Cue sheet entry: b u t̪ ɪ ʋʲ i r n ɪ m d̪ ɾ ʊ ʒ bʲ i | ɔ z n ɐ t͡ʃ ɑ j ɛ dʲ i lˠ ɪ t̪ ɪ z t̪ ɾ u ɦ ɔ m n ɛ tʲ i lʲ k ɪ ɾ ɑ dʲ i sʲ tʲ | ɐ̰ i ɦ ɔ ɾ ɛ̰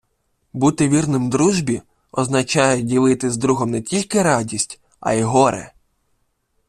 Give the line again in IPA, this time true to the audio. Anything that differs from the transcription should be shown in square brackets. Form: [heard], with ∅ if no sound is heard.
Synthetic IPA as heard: b u t̪ ɪ ʋʲ i r n ɪ m d̪ ɾ [u] ʒ bʲ i | ɔ z n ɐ t͡ʃ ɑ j ɛ dʲ i lˠ ɪ t̪ ɪ z [d̪] ɾ u ɦ ɔ m n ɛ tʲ i lʲ k ɪ ɾ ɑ dʲ i sʲ tʲ | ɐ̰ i ɦ ɔ ɾ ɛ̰

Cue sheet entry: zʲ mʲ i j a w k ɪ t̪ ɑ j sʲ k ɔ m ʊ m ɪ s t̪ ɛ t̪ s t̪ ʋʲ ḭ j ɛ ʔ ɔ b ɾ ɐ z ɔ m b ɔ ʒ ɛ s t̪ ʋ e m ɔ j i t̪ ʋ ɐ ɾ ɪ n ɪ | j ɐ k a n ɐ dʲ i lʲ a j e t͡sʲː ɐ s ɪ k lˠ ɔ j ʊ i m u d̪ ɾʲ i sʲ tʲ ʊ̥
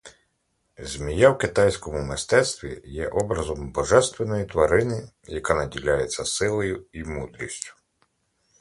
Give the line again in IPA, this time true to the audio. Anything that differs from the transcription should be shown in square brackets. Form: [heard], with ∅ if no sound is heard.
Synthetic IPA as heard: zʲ mʲ i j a w k ɪ t̪ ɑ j sʲ k ɔ m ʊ m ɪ s t̪ ɛ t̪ s t̪ ʋʲ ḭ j ɛ ʔ ɔ b ɾ ɐ z ɔ m b ɔ ʒ ɛ s t̪ ʋ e [n] ɔ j i t̪ ʋ ɐ ɾ ɪ n ɪ | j ɐ k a n ɐ dʲ i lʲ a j e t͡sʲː ɐ s ɪ [∅] lˠ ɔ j ʊ i m u d̪ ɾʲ i sʲ tʲ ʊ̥

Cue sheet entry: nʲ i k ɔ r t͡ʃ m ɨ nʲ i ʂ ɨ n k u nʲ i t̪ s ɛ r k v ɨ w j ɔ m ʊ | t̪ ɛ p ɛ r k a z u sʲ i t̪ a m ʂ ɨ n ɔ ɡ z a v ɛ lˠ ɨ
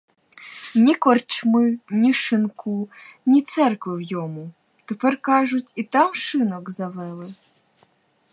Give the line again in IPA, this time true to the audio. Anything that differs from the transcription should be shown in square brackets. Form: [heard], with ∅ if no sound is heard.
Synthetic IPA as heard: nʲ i k ɔ r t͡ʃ m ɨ nʲ i ʂ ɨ n k u nʲ i t̪ s ɛ r k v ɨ w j ɔ m [u] | t̪ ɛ p ɛ r k a [ʐ] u [t͡sʲ] i t̪ a m ʂ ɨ n ɔ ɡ z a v ɛ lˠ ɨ

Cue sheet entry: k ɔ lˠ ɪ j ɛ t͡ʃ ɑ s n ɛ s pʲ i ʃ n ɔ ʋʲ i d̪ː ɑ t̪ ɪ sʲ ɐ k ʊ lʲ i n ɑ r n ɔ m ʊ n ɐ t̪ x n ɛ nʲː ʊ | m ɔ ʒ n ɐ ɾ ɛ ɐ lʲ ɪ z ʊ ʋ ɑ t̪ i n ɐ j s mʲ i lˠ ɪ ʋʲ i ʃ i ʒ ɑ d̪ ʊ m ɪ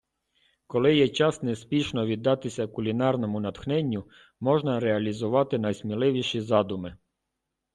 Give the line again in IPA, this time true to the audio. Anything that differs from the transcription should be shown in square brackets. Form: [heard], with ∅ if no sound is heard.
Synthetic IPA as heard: k ɔ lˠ ɪ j ɛ t͡ʃ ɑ s n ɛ s pʲ i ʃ n ɔ ʋʲ i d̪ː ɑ t̪ ɪ sʲ ɐ k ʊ lʲ i n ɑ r n ɔ m ʊ n ɐ t̪ x n ɛ nʲː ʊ | m ɔ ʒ n ɐ ɾ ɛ ɐ lʲ [i] z ʊ ʋ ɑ t̪ [ɪ] n ɐ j s mʲ i lˠ ɪ ʋʲ i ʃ i [z] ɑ d̪ ʊ m ɪ

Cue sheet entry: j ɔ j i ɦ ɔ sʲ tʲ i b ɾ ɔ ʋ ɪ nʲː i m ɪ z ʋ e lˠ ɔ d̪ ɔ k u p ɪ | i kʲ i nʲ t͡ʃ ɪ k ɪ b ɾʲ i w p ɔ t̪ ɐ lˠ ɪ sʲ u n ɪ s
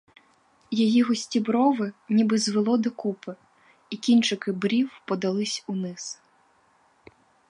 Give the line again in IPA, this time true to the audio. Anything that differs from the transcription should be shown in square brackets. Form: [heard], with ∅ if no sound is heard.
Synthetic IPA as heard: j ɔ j i ɦ ɔ sʲ tʲ i b ɾ ɔ ʋ ɪ [nʲ] i [b] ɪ z ʋ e lˠ ɔ d̪ ɔ k u p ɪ | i kʲ i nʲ t͡ʃ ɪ k ɪ b ɾʲ i w p ɔ [d̪] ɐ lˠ ɪ sʲ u n ɪ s

